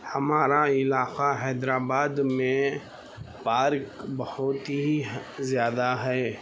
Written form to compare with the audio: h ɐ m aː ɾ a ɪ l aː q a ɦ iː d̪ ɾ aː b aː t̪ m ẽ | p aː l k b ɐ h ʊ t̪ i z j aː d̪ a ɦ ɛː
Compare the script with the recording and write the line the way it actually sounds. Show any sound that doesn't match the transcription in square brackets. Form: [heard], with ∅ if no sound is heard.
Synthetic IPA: h ɐ m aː ɾ a ɪ l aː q a ɦ [ɛː] d̪ ɾ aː b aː [d̪] m ẽ | p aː [ɾ] k b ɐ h ʊ t̪ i z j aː d̪ a ɦ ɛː